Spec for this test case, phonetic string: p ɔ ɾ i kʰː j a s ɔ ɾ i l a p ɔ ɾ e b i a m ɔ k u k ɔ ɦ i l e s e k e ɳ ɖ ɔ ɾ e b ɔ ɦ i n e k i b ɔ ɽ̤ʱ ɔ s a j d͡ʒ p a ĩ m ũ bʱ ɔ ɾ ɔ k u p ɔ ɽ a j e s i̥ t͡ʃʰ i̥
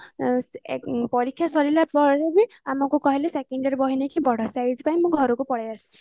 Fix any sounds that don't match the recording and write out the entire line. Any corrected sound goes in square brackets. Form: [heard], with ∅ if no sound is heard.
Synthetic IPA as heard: p ɔ ɾ i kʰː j a s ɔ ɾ i l a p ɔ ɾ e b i a m ɔ k u k ɔ ɦ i l e s e k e ɳ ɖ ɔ ɾ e b ɔ ɦ i n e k i b ɔ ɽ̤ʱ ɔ s a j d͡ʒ p a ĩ m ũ [ɡʱ] ɔ ɾ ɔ k u p ɔ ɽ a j [a] s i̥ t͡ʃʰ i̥